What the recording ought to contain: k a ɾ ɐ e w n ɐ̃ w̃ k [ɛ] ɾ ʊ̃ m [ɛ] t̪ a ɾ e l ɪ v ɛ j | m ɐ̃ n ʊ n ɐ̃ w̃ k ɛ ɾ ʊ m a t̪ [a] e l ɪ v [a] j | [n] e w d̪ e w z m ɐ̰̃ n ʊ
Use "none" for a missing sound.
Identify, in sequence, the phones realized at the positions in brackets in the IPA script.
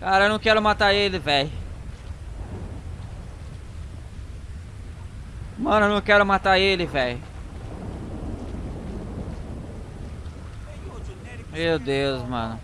ɛ, a, a, ɛ, m

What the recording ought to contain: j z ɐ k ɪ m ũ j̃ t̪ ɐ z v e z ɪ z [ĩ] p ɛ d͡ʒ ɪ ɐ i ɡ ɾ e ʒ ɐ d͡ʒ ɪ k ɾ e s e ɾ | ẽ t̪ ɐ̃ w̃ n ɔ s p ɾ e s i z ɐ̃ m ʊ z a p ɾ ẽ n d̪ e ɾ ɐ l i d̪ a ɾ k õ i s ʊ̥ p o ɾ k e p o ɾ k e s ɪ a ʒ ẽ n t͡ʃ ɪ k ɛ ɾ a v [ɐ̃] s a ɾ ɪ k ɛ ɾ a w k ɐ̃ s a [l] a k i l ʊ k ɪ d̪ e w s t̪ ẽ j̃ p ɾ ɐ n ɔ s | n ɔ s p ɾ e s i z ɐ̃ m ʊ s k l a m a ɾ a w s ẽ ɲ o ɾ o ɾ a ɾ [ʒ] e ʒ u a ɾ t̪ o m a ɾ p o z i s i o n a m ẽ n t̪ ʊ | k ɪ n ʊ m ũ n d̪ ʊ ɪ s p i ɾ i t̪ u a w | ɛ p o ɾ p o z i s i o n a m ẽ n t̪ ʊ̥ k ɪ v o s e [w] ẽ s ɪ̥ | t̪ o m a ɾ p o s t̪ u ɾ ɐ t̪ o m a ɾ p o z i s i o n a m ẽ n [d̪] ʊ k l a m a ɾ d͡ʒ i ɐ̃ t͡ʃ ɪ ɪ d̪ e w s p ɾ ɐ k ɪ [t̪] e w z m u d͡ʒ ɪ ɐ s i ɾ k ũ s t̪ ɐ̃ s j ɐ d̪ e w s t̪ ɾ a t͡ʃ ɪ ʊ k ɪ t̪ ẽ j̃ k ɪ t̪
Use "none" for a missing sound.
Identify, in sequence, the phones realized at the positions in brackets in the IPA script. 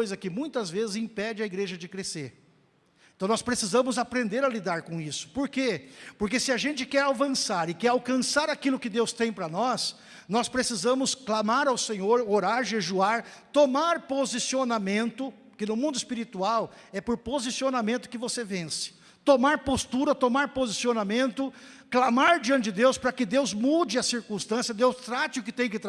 ĩ, ɐ̃, ɾ, ʒ, v, t̪, d̪

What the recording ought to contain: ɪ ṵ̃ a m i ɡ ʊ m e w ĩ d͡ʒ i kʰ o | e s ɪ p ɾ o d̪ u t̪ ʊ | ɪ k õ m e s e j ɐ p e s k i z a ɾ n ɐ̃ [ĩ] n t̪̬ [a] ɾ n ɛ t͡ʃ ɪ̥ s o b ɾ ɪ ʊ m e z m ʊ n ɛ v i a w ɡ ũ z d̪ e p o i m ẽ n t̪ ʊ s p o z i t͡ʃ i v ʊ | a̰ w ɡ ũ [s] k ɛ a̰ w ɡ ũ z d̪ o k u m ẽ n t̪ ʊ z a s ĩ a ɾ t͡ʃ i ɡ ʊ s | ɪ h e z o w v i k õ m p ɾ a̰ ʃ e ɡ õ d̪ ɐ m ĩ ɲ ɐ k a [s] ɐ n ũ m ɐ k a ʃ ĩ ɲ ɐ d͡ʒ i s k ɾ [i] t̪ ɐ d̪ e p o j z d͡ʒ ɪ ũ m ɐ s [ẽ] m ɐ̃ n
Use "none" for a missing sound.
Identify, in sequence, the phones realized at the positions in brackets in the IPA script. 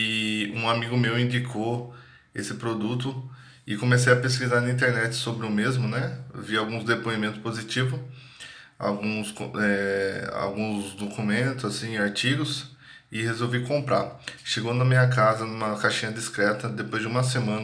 ĩ, e, s, z, ɛ, e

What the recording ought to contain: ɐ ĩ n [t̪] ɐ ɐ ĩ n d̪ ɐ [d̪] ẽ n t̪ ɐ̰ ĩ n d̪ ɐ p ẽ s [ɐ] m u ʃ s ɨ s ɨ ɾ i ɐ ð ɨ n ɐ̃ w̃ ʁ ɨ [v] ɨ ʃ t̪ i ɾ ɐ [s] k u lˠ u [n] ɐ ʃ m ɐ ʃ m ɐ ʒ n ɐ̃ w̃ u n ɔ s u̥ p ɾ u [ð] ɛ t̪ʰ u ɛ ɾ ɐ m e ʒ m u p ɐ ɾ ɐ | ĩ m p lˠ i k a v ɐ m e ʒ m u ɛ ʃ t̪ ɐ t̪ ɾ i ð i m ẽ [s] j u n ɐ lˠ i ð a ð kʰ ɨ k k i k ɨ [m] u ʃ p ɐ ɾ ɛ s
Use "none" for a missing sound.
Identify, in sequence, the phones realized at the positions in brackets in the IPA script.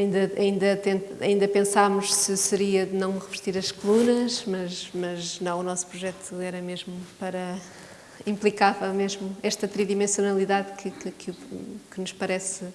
d̪, t̪, a, v, ʃ, n, ʒ, s, n

